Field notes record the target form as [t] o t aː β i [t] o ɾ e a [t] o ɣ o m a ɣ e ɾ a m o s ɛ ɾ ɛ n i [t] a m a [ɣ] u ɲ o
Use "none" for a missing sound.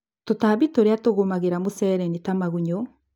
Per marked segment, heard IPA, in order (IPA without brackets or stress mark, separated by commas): t, t, t, t, ɣ